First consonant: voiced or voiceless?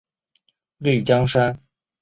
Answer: voiced